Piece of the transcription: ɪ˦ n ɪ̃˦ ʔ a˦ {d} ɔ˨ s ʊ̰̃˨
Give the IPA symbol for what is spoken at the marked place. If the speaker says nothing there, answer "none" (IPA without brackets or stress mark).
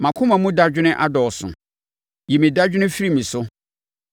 d